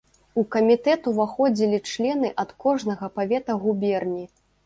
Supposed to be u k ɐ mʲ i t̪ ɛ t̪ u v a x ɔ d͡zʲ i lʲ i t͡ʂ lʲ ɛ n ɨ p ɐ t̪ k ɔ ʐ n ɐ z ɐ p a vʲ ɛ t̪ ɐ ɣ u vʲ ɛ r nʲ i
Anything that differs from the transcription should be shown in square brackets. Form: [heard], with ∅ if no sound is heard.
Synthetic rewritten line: u k ɐ mʲ i t̪ ɛ t̪ u v a x ɔ d͡zʲ i lʲ i t͡ʂ lʲ ɛ n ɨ [ʔ] ɐ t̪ k ɔ ʐ n ɐ [ɣ] ɐ p a vʲ ɛ t̪ ɐ ɣ u [bʲ] ɛ r nʲ i